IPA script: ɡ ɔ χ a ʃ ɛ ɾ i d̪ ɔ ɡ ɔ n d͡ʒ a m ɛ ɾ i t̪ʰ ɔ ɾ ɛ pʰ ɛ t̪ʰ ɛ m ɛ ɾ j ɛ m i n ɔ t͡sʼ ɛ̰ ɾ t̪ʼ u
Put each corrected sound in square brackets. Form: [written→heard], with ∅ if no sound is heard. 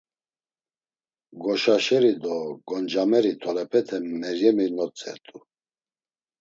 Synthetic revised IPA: ɡ ɔ [χ→ʃ] a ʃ ɛ ɾ i d̪ ɔ ɡ ɔ n d͡ʒ a m ɛ ɾ i t̪ʰ ɔ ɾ ɛ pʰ ɛ t̪ʰ ɛ m ɛ ɾ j ɛ m i n ɔ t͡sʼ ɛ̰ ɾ t̪ʼ u

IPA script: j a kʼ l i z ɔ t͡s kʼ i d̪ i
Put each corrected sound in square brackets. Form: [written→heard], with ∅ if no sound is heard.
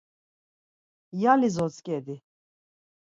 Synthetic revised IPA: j a [kʼ→∅] l i z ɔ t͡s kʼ [i→ɛ] d̪ i

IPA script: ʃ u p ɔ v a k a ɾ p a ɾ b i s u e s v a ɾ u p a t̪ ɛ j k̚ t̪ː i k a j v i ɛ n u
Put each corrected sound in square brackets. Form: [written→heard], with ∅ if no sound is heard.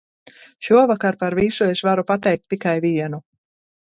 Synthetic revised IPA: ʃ u [p→∅] ɔ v a k a ɾ p a ɾ [b→v] i s u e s v a ɾ u p a t̪ ɛ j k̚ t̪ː i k a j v i ɛ n u

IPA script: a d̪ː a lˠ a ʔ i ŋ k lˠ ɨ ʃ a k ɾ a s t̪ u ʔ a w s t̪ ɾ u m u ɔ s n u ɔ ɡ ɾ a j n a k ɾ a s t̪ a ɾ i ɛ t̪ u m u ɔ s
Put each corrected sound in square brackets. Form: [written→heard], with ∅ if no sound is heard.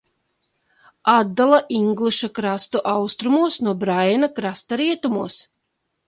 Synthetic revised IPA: a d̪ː a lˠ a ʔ i ŋ [k→ɡ] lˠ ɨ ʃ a k ɾ a s t̪ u ʔ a w s t̪ ɾ u m u ɔ s n u ɔ [ɡ→b] ɾ a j n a k ɾ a s t̪ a ɾ i ɛ t̪ u m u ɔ s

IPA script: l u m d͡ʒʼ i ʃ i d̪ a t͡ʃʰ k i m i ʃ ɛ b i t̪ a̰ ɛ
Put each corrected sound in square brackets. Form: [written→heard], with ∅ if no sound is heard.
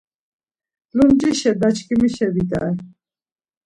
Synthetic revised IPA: l u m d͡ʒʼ i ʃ [i→ɛ] d̪ a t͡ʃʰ k i m i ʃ ɛ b i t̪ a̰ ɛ

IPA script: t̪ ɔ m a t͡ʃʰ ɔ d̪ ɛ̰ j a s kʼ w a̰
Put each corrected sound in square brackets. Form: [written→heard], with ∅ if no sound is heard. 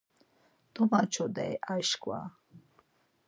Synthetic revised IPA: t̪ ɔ m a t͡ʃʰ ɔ d̪ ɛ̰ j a [s→ʃ] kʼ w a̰

